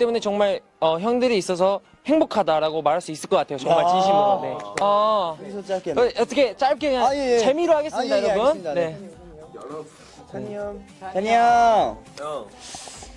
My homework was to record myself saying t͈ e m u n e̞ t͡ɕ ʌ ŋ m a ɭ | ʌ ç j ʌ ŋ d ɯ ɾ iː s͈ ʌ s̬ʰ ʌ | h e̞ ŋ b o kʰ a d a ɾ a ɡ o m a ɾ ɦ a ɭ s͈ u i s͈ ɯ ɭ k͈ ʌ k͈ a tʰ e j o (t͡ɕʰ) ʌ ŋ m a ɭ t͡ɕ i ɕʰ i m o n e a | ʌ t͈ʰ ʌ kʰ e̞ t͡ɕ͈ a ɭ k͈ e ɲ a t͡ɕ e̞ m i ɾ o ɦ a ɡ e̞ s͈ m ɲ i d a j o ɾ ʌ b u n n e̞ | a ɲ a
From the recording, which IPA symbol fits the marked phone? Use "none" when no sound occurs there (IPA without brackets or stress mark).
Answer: t͡ɕ